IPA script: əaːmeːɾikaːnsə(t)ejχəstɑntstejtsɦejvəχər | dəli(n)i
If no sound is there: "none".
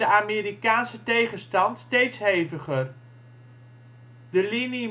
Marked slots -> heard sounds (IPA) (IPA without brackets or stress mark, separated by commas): t, n